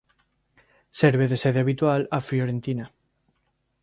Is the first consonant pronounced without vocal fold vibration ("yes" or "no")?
yes